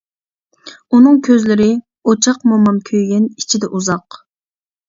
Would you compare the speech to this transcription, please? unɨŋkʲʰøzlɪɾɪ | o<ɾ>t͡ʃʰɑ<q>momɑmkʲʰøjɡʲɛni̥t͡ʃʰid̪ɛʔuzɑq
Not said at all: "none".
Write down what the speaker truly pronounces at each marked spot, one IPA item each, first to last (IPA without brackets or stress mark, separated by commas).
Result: none, q